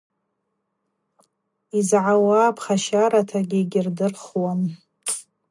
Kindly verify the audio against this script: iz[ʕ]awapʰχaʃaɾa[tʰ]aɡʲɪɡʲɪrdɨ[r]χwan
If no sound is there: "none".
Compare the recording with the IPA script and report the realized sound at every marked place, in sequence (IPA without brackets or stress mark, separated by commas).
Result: ʕ, tʰ, r